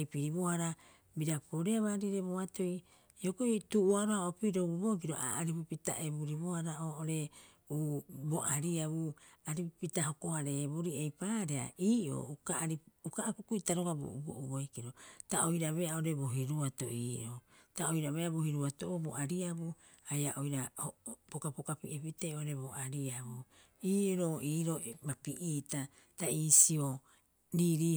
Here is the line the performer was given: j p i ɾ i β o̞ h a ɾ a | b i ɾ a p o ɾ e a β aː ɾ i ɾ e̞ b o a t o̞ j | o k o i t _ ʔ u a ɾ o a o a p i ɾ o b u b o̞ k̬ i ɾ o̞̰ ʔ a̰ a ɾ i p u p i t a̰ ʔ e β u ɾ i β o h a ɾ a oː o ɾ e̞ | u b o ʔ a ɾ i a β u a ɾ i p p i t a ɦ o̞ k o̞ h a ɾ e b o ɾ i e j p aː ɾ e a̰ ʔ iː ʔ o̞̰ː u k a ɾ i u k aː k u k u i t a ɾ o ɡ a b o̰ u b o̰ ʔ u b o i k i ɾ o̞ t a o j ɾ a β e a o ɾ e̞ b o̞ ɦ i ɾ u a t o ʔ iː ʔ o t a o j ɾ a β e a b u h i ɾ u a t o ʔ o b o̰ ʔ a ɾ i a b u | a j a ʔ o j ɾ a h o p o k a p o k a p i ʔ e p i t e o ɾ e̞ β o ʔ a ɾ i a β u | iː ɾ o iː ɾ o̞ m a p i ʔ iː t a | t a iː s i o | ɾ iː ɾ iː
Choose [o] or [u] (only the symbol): u